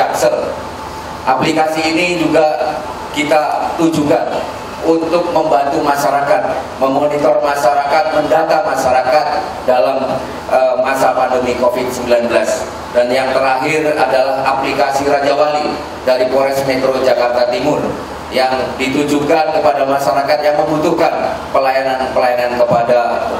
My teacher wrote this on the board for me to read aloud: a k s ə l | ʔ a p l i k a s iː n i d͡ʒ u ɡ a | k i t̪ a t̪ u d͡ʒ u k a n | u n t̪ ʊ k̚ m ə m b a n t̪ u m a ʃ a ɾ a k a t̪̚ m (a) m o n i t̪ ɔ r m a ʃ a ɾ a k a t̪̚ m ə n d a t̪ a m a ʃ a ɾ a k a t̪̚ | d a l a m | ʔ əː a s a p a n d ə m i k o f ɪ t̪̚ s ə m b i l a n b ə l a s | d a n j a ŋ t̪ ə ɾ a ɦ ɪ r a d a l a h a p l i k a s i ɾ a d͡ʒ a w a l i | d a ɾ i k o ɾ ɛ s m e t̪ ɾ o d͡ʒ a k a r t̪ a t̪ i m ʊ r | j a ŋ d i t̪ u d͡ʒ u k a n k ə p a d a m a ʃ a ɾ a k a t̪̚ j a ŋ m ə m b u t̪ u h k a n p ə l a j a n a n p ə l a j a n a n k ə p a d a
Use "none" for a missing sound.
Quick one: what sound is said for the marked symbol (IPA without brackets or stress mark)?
ə